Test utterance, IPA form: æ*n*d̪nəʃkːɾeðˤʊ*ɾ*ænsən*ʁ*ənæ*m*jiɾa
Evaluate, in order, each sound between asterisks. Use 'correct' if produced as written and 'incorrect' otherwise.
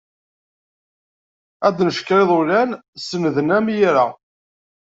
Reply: incorrect: none, incorrect: l, incorrect: ð, correct

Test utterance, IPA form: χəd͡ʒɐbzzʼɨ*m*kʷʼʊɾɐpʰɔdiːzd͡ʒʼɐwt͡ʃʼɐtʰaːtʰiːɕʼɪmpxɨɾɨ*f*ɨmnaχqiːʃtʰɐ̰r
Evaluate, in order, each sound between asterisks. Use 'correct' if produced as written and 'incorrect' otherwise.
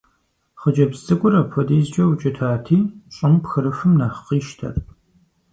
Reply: incorrect: none, correct

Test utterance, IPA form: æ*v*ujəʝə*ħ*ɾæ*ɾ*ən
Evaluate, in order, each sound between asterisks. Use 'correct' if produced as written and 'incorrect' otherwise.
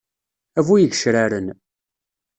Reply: correct, incorrect: ʃ, correct

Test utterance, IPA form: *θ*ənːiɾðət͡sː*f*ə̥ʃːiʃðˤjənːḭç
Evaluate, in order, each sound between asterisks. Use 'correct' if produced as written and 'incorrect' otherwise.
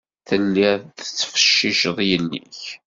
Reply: correct, correct

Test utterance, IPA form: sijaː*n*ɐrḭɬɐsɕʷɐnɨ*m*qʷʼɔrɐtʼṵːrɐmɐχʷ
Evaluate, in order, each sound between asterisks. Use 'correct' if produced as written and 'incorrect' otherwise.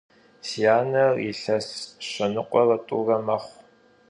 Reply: correct, incorrect: none

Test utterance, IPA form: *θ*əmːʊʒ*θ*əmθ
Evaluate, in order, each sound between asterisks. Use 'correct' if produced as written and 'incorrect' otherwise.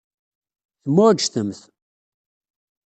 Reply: correct, correct

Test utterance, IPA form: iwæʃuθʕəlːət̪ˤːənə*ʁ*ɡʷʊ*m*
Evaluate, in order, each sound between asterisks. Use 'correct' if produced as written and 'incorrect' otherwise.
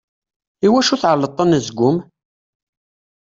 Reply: incorrect: z, correct

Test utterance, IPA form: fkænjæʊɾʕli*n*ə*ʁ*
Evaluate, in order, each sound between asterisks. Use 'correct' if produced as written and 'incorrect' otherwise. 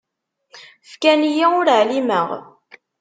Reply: incorrect: m, correct

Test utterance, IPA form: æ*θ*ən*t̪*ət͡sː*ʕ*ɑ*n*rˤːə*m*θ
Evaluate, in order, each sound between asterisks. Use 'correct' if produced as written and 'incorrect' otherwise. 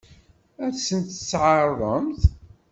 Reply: incorrect: s, correct, correct, incorrect: none, correct

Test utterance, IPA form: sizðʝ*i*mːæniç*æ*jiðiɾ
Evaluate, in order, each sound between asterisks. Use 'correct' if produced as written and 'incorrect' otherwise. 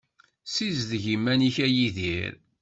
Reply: correct, correct

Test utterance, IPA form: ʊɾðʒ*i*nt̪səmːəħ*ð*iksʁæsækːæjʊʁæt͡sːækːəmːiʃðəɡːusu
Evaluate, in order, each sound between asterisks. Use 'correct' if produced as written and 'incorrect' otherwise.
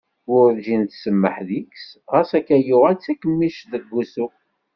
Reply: correct, correct

